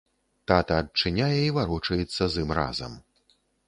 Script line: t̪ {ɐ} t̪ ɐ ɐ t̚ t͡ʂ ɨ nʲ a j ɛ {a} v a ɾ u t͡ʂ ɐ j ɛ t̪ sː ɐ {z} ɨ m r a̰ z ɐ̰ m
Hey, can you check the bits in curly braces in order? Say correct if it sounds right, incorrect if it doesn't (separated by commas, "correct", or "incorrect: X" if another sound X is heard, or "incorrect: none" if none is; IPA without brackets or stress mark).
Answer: incorrect: a, incorrect: i, correct